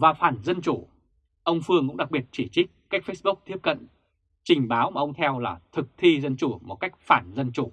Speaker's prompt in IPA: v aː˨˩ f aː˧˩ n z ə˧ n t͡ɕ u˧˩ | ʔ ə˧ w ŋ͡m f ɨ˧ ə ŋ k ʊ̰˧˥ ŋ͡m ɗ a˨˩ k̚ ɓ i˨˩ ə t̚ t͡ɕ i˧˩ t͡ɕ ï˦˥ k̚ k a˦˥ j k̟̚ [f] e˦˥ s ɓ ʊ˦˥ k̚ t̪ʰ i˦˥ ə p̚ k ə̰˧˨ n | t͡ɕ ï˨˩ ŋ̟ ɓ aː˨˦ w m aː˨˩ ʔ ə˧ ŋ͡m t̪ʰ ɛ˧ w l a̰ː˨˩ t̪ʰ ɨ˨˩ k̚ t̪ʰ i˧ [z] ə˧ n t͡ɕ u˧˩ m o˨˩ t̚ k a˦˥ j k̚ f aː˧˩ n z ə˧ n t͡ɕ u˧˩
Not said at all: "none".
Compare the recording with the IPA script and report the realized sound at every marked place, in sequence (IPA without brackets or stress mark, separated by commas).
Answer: f, z